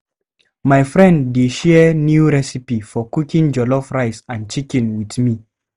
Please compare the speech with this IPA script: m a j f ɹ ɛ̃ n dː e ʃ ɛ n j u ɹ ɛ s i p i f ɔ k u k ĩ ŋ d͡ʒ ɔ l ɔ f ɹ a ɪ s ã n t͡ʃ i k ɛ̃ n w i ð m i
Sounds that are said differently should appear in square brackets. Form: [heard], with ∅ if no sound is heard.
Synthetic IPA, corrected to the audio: m a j f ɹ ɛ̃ n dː e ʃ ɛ n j u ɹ ɛ s i p i f ɔ k u k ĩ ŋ d͡ʒ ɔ l ɔ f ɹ a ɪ s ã n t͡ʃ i k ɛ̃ n w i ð m i